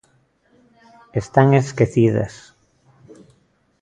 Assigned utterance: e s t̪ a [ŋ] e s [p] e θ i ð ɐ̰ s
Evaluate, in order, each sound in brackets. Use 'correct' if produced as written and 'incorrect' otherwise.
correct, incorrect

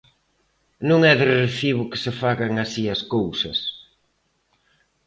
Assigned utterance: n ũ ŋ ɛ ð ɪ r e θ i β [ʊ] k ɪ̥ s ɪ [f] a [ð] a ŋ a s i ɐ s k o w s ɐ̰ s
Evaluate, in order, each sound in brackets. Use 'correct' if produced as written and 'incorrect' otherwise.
correct, correct, incorrect

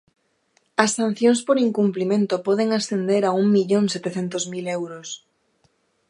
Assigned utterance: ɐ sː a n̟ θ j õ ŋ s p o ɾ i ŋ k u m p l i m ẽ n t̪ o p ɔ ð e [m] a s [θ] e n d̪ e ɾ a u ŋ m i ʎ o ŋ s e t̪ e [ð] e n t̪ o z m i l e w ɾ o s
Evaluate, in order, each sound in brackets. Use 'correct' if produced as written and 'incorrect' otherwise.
incorrect, correct, incorrect

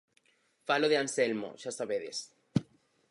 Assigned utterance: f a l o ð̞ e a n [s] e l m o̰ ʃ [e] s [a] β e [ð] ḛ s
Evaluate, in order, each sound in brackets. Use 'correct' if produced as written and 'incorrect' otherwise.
correct, incorrect, correct, correct

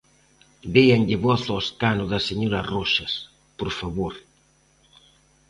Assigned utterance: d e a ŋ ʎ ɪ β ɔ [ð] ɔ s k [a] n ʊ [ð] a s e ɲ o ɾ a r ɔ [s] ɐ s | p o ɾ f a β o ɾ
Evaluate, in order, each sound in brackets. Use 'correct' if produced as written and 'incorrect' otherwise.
incorrect, correct, correct, incorrect

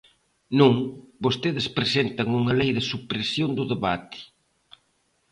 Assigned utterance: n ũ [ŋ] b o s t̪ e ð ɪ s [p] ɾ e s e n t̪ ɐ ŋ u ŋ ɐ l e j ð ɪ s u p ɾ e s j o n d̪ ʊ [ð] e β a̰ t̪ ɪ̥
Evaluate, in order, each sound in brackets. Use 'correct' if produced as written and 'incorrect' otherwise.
correct, correct, correct

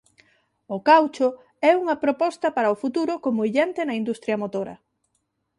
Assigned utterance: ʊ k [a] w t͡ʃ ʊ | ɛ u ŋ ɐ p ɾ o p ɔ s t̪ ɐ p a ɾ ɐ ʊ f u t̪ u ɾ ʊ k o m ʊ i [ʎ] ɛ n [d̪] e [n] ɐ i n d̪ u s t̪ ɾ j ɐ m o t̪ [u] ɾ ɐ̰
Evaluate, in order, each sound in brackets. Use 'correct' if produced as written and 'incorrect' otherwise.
correct, correct, incorrect, correct, incorrect

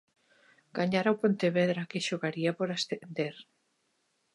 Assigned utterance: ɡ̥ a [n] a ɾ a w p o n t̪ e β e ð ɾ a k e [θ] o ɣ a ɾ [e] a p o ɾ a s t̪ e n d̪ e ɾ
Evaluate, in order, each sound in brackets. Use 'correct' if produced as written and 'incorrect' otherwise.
incorrect, incorrect, incorrect

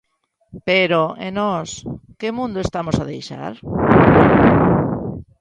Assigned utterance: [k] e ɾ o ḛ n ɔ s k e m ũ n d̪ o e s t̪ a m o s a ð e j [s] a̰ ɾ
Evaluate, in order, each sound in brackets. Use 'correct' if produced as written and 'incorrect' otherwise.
incorrect, incorrect

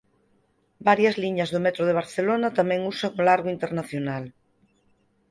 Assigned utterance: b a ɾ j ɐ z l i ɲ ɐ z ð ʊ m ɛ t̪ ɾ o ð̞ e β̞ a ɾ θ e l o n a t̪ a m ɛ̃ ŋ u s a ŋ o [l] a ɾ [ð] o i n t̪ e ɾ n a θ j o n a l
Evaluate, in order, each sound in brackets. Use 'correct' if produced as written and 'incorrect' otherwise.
correct, incorrect

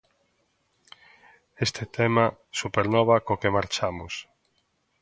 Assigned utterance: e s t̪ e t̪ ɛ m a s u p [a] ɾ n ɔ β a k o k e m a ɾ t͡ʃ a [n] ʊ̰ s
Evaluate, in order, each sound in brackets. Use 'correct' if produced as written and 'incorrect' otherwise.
incorrect, incorrect

